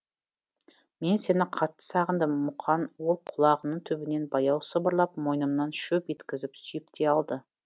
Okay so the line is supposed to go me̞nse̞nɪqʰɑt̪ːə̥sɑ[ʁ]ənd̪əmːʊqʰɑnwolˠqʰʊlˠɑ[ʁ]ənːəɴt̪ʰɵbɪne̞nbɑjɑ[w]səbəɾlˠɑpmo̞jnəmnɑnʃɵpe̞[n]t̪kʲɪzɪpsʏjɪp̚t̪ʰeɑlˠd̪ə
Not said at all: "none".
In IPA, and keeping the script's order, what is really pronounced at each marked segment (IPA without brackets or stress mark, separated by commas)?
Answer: ʁ, ʁ, w, none